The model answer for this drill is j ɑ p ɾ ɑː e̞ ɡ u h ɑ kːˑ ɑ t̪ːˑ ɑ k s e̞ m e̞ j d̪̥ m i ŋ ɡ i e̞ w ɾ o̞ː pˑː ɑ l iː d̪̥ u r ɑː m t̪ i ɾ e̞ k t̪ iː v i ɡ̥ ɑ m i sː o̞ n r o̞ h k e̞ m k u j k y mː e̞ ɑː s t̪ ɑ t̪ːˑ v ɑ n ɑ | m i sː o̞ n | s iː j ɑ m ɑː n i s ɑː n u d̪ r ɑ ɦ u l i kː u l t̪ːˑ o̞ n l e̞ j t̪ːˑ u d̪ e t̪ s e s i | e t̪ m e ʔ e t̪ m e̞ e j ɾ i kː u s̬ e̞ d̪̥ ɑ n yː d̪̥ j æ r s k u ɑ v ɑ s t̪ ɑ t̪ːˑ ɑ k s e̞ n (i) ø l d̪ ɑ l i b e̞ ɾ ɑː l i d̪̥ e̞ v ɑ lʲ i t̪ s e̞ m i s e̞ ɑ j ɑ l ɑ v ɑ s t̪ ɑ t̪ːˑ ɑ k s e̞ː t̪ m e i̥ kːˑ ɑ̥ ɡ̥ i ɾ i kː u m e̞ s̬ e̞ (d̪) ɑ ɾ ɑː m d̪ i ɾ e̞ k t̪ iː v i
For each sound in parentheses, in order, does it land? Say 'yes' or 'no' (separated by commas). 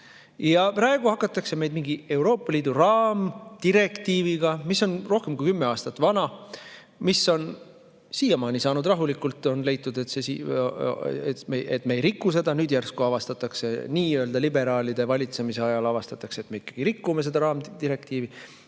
no, yes